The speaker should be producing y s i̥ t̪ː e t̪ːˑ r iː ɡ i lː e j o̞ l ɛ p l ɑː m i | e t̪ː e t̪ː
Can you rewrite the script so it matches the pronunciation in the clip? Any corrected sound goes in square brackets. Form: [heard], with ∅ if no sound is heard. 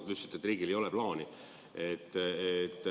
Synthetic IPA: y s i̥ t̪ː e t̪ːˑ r iː ɡ i [l] e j o̞ l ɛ p l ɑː [n] i | e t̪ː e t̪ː